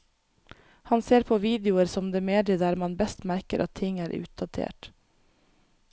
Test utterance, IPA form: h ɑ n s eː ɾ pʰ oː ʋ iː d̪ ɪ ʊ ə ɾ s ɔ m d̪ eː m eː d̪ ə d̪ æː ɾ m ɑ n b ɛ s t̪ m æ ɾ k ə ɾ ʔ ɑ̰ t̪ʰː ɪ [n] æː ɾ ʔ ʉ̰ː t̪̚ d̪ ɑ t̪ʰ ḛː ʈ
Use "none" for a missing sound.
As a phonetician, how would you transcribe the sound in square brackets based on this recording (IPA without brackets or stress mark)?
ŋ